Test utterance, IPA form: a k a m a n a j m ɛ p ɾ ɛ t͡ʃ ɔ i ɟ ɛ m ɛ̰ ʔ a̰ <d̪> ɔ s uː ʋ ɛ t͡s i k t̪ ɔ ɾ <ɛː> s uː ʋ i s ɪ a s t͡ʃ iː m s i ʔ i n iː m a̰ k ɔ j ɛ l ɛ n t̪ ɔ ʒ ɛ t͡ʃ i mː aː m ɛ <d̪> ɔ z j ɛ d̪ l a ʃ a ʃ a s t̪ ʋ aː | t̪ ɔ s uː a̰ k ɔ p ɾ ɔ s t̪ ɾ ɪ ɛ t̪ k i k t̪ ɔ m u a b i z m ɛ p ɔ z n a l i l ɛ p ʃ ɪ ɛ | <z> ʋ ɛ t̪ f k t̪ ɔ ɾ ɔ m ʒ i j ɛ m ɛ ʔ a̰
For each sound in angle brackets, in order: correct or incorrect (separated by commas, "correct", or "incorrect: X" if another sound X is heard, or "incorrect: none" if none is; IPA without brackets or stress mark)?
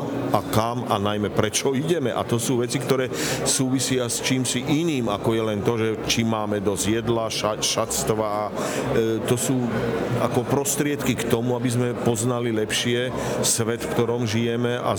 incorrect: t̪, correct, correct, incorrect: s